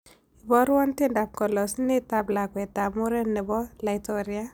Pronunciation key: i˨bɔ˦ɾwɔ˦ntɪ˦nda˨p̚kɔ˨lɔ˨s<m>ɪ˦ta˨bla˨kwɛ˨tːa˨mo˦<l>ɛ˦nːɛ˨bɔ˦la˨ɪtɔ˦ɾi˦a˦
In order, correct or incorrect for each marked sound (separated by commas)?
incorrect, incorrect